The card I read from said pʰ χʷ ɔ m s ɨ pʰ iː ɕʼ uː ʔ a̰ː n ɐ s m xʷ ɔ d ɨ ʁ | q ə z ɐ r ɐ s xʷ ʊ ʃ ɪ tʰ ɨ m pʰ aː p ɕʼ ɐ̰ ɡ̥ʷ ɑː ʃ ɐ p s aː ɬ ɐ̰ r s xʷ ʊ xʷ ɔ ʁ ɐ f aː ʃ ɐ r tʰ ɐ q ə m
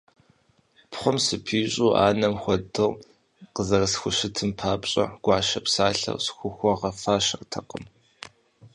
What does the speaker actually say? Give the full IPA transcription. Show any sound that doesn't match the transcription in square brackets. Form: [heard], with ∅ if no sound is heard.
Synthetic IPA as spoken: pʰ χʷ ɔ m s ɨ pʰ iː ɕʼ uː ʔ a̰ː n ɐ [∅] m xʷ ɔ d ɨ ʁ | q ə z ɐ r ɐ s xʷ ʊ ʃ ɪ tʰ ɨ m pʰ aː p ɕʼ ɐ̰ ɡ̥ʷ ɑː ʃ ɐ p s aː ɬ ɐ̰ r s xʷ ʊ xʷ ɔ ʁ ɐ f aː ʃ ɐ r tʰ ɐ q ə m